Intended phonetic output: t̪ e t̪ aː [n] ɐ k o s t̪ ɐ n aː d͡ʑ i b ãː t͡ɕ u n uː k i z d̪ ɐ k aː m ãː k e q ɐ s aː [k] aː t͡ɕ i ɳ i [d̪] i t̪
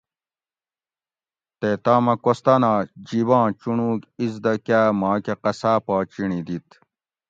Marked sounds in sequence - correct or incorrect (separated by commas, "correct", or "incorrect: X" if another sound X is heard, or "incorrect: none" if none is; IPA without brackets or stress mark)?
incorrect: m, incorrect: p, correct